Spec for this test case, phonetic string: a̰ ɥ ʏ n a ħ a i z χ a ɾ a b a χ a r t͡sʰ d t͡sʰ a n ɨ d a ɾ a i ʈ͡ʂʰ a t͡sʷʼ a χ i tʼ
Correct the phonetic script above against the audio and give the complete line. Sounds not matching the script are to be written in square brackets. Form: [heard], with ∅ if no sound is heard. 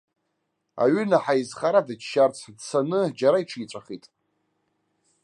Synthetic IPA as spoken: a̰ ɥ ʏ n a ħ a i z χ a ɾ a [d] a [ʃ] a r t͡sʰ d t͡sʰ a n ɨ [d͡ʒ] a ɾ a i ʈ͡ʂʰ [i] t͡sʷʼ a χ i tʼ